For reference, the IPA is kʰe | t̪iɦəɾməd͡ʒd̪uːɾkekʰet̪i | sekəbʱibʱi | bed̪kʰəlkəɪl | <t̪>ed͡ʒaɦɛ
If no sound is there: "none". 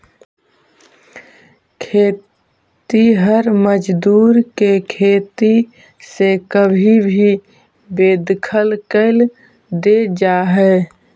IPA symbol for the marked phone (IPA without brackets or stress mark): d̪